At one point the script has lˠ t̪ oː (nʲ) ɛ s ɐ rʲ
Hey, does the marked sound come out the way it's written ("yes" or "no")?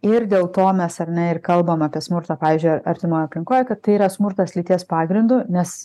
no